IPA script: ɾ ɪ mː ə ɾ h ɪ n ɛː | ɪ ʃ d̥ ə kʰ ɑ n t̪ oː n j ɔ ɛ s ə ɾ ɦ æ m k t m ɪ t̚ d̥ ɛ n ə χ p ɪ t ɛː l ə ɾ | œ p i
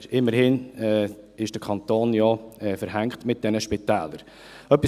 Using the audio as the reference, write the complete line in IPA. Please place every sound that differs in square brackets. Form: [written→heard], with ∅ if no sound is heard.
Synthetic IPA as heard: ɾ ɪ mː ə ɾ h ɪ n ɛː | ɪ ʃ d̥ ə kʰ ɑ n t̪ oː n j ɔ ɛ [s→f] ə ɾ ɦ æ [m→ŋ] k t m ɪ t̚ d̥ ɛ n ə [χ→ʃ] p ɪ t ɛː l ə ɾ | œ p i

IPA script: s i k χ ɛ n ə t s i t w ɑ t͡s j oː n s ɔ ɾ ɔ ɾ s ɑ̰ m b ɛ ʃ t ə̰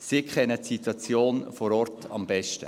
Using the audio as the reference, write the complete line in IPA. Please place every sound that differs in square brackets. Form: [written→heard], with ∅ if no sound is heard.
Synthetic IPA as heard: s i k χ ɛ n ə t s i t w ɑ t͡s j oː n [s→f] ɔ ɾ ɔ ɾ [s→t] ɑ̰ m b ɛ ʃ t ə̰

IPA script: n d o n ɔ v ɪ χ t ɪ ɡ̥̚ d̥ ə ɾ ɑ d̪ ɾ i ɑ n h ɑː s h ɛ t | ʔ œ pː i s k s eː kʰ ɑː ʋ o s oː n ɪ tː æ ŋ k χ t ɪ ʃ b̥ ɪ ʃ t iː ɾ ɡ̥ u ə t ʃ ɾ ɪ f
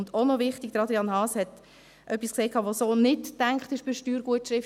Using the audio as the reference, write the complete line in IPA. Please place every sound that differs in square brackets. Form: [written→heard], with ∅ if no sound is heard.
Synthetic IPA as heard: n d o n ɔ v ɪ χ t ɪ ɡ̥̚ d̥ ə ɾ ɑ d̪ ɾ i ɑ n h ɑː s h ɛ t | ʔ œ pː i s k s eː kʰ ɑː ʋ o s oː n ɪ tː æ ŋ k χ t ɪ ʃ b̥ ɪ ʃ t [iː→yː] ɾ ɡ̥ u ə t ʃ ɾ ɪ f

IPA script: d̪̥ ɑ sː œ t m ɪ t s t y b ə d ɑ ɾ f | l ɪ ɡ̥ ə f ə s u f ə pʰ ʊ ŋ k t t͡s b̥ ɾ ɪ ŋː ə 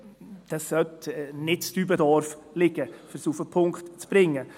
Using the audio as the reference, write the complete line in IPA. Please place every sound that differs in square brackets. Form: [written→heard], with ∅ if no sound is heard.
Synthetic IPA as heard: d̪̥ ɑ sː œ t [m→n] ɪ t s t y b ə d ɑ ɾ f | l ɪ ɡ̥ ə f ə s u f ə pʰ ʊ ŋ k t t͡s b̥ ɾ ɪ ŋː ə

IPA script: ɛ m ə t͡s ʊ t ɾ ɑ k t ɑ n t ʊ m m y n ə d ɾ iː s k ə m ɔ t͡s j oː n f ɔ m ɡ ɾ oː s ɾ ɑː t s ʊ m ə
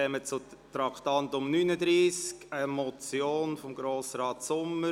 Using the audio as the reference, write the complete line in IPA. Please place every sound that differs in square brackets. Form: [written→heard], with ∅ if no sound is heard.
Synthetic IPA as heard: ɛ m ə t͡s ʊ t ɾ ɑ k t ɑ n t ʊ m [m→n] y n ə d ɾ iː s k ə m ɔ t͡s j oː n f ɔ m ɡ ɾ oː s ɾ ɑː t s ʊ m ə

